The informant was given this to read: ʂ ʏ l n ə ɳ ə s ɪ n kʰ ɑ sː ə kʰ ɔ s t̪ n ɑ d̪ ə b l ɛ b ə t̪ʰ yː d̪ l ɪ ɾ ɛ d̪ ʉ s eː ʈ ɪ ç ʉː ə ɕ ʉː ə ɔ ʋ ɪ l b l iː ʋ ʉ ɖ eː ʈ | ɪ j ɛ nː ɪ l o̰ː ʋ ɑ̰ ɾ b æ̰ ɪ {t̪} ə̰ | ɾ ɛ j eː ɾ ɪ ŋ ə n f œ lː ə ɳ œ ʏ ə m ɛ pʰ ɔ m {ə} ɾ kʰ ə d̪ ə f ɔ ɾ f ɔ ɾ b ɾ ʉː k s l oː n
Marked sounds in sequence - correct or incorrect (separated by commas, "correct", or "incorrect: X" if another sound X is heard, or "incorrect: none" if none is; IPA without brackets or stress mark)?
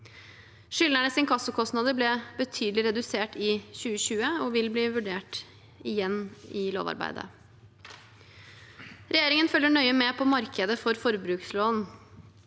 incorrect: d̪, incorrect: ɑ